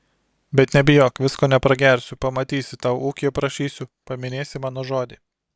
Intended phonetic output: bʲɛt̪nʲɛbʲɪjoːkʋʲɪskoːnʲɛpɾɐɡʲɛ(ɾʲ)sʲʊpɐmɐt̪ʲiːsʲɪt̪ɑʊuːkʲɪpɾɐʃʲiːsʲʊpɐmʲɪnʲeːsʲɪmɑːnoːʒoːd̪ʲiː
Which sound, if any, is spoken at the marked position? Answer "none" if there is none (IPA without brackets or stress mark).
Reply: ɾʲ